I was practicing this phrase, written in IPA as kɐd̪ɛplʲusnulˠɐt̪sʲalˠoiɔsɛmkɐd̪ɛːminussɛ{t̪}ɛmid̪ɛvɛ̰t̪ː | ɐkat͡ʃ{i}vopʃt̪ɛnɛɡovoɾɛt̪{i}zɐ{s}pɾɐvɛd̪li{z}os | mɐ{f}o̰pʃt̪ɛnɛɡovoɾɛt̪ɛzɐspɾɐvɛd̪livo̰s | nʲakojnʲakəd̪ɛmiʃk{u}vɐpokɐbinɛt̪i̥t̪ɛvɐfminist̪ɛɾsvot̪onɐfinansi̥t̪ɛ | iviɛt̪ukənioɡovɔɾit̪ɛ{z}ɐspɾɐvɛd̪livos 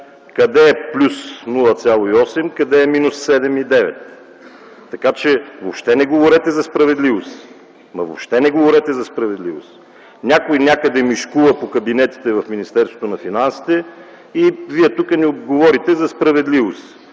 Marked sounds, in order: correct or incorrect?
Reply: incorrect, incorrect, incorrect, correct, incorrect, incorrect, correct, correct

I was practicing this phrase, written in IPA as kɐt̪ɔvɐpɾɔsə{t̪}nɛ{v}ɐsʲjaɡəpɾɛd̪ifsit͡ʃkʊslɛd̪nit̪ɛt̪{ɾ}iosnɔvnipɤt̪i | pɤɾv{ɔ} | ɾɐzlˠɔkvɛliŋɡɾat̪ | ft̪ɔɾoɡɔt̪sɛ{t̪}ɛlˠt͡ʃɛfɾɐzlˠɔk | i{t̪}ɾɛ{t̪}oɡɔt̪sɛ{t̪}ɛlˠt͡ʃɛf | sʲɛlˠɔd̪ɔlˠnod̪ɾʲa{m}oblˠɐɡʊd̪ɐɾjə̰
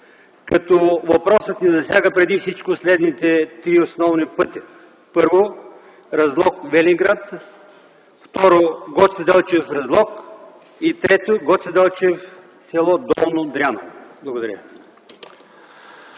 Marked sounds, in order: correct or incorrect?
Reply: correct, incorrect, correct, incorrect, incorrect, correct, correct, incorrect, incorrect

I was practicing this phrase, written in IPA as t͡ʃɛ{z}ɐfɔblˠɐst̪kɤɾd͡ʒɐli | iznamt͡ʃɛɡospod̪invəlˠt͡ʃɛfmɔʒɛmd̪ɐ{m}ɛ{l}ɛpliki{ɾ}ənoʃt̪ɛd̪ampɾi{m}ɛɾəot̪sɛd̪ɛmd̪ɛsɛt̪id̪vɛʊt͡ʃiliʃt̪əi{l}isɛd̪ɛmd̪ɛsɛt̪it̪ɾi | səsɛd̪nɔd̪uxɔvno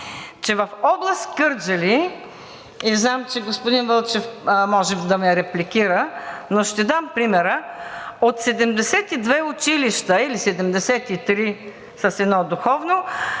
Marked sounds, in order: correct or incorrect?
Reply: incorrect, correct, incorrect, correct, correct, correct

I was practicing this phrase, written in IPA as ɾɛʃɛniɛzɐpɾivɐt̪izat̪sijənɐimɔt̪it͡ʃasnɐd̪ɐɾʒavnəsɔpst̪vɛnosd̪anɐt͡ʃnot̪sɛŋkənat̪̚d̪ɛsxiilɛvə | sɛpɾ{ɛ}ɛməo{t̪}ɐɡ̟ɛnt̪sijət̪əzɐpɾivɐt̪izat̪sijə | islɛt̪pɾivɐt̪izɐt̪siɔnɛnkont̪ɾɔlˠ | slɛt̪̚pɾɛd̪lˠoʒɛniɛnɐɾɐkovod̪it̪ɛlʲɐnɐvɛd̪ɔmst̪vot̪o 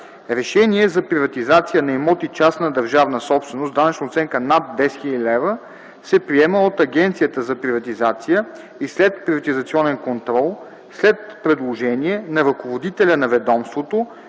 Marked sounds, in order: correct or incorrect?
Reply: incorrect, correct

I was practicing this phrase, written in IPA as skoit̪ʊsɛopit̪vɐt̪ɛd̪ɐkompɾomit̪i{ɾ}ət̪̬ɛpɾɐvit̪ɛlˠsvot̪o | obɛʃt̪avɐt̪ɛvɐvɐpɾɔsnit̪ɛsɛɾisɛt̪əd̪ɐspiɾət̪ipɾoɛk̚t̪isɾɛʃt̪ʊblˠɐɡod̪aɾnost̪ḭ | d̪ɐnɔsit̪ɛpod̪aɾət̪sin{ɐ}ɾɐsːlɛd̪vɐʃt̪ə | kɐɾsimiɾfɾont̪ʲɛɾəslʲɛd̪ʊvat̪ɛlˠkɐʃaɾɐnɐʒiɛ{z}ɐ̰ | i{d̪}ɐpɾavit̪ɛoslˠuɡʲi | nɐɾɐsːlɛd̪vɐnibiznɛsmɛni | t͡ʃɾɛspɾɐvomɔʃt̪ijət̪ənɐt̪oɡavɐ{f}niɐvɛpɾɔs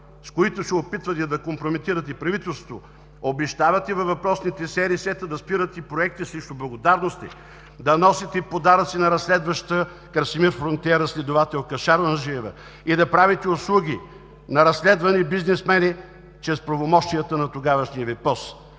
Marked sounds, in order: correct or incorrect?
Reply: correct, correct, incorrect, correct, incorrect

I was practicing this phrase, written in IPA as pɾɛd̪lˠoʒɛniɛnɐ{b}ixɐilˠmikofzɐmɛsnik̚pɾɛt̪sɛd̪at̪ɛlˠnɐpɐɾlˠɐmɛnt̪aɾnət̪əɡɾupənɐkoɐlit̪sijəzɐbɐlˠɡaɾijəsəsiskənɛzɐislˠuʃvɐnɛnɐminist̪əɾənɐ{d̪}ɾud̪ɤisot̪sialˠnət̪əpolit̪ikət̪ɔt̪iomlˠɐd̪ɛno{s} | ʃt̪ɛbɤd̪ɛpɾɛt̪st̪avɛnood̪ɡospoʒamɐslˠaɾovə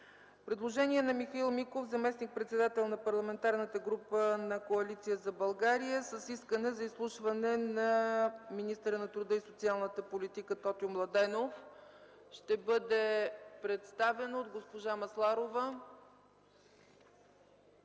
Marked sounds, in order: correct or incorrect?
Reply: incorrect, incorrect, incorrect

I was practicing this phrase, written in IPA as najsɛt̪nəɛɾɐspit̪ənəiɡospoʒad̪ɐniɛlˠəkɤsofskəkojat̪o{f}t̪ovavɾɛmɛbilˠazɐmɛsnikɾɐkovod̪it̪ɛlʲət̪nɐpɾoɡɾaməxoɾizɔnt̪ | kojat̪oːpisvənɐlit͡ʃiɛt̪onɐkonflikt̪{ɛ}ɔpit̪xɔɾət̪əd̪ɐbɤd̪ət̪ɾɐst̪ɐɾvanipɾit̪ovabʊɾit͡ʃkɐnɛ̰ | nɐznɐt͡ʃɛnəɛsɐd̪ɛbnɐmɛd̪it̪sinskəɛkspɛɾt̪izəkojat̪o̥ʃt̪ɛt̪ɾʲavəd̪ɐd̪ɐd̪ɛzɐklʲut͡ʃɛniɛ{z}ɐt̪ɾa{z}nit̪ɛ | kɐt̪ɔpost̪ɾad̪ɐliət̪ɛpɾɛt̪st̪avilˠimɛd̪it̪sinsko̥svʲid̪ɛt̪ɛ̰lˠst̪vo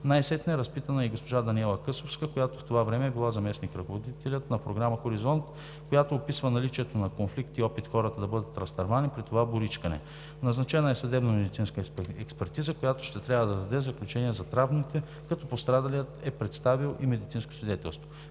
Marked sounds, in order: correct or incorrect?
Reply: correct, incorrect, correct, incorrect

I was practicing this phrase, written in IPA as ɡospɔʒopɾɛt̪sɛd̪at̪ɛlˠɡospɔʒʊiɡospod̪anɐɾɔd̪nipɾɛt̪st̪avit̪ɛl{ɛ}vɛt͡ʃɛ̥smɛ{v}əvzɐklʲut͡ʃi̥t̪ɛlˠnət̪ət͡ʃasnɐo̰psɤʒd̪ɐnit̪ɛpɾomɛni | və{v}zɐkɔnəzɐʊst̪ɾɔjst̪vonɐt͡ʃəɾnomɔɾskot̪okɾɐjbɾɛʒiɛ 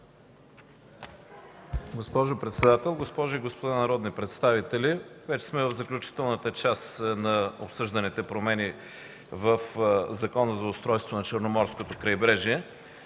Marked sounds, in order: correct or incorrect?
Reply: incorrect, correct, incorrect

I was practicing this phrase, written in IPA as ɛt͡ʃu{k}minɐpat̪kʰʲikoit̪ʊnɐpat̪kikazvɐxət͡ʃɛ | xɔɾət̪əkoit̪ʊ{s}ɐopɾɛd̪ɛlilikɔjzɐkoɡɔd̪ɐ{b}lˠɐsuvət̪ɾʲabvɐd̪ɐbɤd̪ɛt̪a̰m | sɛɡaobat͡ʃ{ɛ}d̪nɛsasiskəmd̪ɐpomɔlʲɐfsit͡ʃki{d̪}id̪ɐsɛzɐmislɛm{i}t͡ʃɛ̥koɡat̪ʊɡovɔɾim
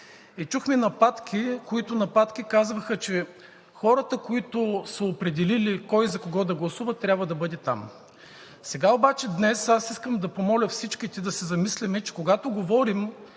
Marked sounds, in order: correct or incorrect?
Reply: incorrect, correct, incorrect, correct, incorrect, incorrect

